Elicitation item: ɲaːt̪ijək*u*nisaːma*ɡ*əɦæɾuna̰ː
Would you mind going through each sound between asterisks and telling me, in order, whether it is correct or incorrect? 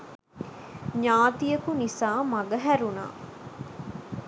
correct, correct

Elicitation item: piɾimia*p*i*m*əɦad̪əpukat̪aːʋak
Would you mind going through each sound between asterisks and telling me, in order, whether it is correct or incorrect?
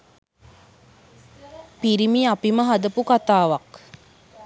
correct, correct

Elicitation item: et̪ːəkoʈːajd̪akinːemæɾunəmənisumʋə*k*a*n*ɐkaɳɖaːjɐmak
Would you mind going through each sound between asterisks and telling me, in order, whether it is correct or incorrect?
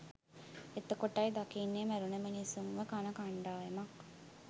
correct, correct

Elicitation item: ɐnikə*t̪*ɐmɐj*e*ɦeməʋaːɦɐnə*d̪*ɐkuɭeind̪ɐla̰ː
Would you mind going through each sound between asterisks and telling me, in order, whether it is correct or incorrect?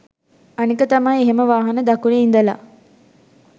correct, correct, correct

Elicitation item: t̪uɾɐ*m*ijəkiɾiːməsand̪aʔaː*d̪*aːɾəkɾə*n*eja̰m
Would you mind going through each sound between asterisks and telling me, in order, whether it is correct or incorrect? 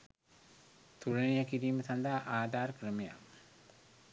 incorrect, correct, incorrect

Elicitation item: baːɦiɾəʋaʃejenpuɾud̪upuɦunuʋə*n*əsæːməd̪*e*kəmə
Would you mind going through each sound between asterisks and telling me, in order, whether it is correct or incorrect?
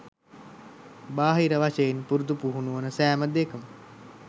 correct, correct

